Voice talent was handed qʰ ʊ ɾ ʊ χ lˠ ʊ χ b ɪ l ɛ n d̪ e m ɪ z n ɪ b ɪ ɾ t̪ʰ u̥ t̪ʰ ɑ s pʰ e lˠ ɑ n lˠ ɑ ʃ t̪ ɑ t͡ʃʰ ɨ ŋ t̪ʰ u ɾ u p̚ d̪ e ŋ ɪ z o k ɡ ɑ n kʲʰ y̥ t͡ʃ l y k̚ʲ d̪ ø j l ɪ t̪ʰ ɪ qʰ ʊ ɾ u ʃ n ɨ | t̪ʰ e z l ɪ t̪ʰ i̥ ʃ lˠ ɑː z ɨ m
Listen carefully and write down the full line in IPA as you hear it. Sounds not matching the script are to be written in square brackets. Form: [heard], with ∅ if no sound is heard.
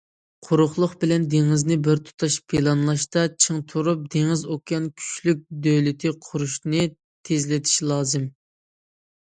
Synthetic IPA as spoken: qʰ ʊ ɾ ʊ χ lˠ ʊ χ b ɪ l ɛ n d̪ e [ŋ] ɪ z n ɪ b ɪ ɾ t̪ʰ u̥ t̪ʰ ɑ [ʃ] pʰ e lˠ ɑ n lˠ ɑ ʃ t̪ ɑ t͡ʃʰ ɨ ŋ t̪ʰ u ɾ u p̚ d̪ e ŋ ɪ z o k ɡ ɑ n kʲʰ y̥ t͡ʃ l y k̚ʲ d̪ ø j l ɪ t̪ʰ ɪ qʰ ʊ ɾ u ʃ n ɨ | t̪ʰ e z l ɪ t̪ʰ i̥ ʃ lˠ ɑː z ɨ m